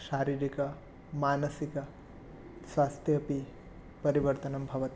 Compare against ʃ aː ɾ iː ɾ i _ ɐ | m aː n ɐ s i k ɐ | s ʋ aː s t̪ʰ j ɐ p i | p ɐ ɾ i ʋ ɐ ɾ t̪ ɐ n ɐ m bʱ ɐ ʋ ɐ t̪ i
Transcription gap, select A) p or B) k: B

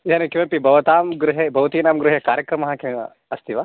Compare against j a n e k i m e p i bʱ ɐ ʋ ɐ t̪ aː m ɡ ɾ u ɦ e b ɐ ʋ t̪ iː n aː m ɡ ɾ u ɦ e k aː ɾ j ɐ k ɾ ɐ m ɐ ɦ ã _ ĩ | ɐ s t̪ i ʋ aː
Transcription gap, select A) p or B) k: B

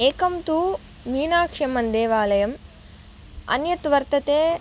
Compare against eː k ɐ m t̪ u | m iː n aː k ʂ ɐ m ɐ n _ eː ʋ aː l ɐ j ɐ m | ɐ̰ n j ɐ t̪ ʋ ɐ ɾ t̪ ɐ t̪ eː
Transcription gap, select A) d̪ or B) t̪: A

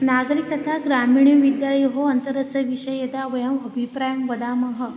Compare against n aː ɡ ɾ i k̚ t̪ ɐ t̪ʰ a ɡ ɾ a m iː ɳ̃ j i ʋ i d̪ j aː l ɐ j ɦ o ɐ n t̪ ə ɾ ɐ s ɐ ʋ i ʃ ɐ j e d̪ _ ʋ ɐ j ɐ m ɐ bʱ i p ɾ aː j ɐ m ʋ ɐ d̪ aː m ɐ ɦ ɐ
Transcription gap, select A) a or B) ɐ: A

